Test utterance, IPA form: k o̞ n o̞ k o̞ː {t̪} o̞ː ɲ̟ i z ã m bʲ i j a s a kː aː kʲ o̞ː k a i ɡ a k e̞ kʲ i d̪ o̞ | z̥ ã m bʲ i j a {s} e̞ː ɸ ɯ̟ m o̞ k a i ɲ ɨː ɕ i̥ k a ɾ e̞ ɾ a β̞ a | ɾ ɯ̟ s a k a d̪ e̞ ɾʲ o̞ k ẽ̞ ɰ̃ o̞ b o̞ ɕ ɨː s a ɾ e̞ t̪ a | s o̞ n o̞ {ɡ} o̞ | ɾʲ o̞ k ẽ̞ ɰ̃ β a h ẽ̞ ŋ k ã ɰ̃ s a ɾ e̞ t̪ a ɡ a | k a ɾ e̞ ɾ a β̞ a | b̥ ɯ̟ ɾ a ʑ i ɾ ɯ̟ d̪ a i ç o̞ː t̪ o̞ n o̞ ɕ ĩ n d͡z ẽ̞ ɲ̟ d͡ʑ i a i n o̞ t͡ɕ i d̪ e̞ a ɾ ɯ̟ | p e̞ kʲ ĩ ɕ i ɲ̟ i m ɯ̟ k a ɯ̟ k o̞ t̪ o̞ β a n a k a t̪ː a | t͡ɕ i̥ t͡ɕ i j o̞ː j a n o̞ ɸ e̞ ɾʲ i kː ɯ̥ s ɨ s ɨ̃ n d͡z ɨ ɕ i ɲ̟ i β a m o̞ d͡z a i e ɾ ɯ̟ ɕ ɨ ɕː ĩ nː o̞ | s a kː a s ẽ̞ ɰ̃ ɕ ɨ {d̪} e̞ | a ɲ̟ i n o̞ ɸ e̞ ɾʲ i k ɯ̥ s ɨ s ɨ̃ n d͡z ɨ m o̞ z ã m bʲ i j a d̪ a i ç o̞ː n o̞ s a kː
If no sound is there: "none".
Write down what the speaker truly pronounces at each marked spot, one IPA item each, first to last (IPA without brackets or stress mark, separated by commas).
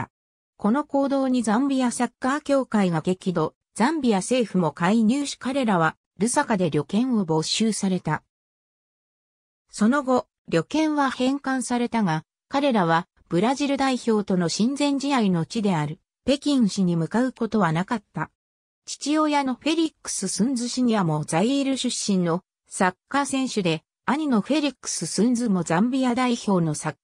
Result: d̪, s, ɡ, d̪